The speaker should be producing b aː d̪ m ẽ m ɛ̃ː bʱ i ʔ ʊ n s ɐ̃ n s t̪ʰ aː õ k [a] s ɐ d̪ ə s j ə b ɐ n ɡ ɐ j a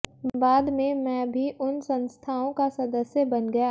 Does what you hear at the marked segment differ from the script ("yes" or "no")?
no